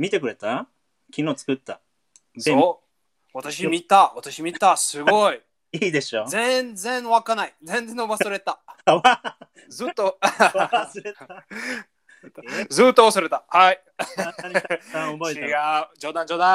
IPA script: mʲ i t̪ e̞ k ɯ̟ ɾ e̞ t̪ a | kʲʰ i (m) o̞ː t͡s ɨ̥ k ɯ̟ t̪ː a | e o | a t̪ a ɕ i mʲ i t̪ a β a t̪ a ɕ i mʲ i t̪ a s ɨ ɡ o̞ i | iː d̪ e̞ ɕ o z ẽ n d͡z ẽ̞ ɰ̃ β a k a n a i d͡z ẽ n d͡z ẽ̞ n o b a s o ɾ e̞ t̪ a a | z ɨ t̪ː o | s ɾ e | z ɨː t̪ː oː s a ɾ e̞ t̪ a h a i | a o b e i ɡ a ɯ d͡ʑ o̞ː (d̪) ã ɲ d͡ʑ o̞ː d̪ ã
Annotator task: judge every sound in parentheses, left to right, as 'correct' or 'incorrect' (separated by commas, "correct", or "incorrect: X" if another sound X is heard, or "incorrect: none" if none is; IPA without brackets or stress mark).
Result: incorrect: n, correct